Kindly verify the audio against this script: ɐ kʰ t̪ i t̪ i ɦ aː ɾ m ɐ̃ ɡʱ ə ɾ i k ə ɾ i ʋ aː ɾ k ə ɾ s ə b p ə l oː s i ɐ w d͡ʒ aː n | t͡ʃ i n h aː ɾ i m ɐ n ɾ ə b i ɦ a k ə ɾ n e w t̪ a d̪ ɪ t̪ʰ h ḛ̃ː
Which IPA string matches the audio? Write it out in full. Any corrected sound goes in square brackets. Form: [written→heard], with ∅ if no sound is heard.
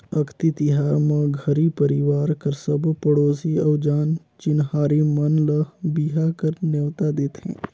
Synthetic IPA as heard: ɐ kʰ t̪ i t̪ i ɦ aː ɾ m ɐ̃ ɡʱ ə ɾ i [k→p] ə ɾ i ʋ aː ɾ k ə ɾ s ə b p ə [l→ɽ] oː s i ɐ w d͡ʒ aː n | t͡ʃ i n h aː ɾ i m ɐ n [ɾ→l] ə b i ɦ a k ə ɾ n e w t̪ a d̪ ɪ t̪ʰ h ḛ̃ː